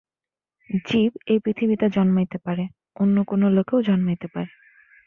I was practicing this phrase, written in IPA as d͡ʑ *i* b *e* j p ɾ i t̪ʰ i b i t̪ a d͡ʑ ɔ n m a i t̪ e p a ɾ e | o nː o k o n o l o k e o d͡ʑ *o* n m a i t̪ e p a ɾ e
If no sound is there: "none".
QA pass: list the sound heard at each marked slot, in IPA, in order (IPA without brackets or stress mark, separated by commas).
i, e, ɔ